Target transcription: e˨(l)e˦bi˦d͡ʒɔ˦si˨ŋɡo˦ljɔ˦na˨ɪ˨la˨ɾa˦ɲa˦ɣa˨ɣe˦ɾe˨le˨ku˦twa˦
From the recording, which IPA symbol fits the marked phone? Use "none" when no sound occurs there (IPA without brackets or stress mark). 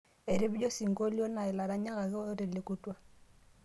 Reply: ɾ